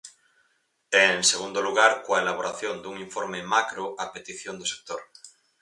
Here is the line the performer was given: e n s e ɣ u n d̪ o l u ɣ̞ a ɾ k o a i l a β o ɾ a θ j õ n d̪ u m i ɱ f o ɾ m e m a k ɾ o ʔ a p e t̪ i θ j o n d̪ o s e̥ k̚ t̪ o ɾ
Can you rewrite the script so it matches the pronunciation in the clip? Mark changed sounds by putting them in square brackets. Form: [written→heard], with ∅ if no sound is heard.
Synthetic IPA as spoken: e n s e ɣ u n d̪ o l u ɣ̞ a ɾ k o a [i→e] l a β o ɾ a θ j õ n d̪ u [m→ŋ] i ɱ f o ɾ m e m a k ɾ o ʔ a p e t̪ i θ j o n d̪ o s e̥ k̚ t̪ o ɾ